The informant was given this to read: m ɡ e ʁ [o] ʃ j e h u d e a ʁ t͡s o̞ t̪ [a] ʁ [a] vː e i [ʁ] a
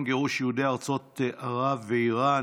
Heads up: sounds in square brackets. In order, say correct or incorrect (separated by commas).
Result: incorrect, correct, correct, correct